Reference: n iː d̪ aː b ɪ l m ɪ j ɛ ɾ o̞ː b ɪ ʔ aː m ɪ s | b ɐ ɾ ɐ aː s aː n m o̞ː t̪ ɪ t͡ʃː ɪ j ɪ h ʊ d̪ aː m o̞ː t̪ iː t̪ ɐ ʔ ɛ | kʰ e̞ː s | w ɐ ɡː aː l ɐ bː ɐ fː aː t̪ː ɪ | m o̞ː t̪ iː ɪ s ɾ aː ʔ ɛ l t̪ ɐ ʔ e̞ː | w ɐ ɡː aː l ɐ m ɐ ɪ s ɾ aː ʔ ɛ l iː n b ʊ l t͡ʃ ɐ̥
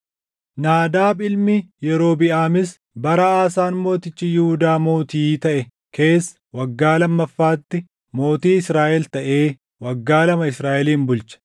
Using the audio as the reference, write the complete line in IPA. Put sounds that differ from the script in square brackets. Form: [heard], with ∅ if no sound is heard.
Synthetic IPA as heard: n [aː] d̪ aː b ɪ l m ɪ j ɛ ɾ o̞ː b ɪ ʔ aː m ɪ s | b ɐ ɾ ɐ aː s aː n m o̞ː t̪ ɪ t͡ʃː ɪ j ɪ h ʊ d̪ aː m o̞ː t̪ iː t̪ ɐ ʔ ɛ | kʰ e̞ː s | w ɐ ɡː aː l ɐ [mː] ɐ fː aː t̪ː ɪ | m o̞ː t̪ iː ɪ s ɾ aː ʔ ɛ l t̪ ɐ ʔ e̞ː | w ɐ ɡː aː l ɐ m ɐ ɪ s ɾ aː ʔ ɛ l iː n b ʊ l t͡ʃ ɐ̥